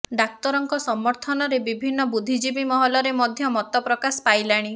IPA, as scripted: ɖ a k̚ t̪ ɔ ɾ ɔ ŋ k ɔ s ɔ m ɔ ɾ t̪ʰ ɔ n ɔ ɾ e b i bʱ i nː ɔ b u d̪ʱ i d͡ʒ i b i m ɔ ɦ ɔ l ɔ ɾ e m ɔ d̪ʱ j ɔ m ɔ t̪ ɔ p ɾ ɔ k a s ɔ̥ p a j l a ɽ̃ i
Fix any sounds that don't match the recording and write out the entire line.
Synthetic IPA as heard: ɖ a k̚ t̪ ɔ ɾ ɔ ŋ k ɔ s ɔ m ɔ ɾ t̪ʰ ɔ n ɔ ɾ e b i bʱ i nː ɔ b u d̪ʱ i d͡ʒ i b i m ɔ ɦ ɔ l ɔ ɾ e m ɔ d̪ʱ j ɔ m ɔ t̪ ɔ p ɾ ɔ k a s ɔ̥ p a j l a ɽ̃ i